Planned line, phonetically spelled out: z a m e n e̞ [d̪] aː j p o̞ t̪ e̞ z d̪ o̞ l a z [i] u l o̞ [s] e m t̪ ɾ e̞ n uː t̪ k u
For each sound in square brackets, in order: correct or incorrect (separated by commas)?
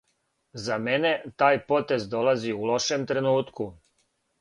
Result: incorrect, correct, incorrect